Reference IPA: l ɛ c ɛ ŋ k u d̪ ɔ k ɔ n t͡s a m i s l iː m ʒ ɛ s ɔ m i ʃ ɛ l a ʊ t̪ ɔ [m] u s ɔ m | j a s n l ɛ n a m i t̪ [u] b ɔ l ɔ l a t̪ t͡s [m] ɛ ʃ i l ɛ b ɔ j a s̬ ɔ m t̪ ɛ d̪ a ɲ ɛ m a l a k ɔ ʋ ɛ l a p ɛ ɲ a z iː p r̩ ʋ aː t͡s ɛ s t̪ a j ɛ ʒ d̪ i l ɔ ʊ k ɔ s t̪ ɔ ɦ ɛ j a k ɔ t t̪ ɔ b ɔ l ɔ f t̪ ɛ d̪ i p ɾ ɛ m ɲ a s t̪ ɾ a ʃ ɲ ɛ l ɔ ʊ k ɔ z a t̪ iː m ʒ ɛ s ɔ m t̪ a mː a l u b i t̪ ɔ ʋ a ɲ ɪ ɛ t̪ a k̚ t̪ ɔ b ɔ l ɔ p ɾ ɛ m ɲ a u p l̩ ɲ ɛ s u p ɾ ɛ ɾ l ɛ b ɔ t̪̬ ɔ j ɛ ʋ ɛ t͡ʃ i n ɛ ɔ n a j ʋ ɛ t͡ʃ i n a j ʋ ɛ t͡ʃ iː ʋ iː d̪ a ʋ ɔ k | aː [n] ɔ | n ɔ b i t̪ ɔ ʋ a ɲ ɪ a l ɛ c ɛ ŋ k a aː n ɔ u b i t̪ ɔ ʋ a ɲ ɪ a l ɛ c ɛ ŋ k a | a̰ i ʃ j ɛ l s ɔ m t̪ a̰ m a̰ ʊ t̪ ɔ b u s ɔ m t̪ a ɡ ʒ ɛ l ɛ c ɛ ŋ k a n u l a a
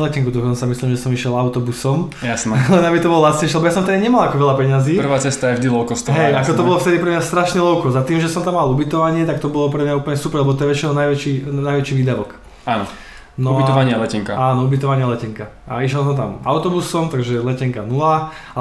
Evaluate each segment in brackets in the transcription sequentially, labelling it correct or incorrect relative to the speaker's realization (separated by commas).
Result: incorrect, incorrect, incorrect, correct